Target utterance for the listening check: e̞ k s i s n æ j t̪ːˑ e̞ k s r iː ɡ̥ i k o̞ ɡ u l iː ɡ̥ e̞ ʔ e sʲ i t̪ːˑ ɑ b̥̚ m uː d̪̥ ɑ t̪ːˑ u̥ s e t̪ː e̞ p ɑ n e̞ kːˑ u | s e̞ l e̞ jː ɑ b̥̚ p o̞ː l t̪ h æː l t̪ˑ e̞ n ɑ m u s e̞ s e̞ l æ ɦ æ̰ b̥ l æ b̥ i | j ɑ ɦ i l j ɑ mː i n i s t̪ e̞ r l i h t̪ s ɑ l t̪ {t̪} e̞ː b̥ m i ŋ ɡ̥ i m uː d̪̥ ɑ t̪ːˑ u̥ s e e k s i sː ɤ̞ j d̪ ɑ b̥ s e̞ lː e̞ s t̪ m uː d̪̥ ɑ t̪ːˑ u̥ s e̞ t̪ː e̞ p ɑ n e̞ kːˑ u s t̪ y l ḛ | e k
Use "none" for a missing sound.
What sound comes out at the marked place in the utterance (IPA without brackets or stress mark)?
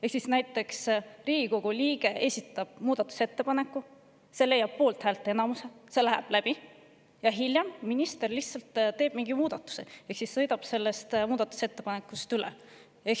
t̪